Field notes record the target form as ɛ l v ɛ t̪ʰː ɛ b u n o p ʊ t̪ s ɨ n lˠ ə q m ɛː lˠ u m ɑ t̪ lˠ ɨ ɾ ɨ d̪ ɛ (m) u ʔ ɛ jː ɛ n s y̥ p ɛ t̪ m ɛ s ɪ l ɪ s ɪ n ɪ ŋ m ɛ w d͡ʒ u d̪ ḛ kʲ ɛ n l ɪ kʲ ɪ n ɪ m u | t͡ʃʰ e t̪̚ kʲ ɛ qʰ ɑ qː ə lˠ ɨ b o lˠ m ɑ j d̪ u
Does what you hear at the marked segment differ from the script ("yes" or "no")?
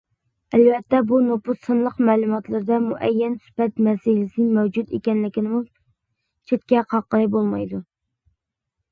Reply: no